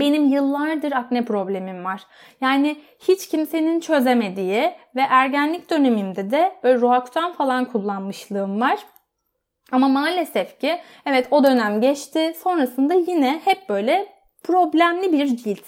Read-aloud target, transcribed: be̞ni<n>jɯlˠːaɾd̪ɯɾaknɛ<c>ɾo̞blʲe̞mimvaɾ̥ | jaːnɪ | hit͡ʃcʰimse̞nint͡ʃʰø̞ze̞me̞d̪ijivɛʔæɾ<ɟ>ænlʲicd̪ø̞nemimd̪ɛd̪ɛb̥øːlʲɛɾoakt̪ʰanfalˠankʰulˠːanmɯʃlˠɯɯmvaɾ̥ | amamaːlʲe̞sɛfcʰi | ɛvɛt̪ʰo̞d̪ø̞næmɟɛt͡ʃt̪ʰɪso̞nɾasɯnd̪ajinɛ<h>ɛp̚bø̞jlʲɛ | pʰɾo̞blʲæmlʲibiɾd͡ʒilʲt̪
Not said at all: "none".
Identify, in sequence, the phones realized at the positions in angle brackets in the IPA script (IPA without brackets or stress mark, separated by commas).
m, p, ɟ, h